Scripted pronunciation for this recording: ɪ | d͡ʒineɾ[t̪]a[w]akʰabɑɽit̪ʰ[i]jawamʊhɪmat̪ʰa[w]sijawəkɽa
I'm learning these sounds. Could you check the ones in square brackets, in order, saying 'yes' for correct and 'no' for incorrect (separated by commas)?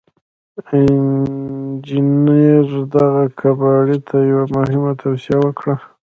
no, no, no, yes